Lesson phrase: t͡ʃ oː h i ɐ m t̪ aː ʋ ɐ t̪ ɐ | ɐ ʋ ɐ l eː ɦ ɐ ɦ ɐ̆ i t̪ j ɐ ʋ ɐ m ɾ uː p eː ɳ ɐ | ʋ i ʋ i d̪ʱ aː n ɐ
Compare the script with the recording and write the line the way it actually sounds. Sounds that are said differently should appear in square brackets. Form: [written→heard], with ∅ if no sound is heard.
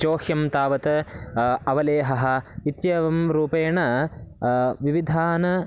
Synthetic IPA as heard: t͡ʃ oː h [i→j] ɐ m t̪ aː ʋ ɐ t̪ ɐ | ɐ ʋ ɐ l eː ɦ ɐ ɦ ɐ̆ i t̪ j ɐ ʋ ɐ m ɾ uː p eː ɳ ɐ | ʋ i ʋ i d̪ʱ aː n ɐ